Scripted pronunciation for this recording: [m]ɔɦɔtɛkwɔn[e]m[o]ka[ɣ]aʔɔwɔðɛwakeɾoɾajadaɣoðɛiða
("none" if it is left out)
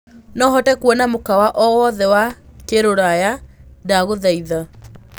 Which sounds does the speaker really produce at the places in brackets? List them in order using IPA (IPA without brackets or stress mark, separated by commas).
n, a, o, w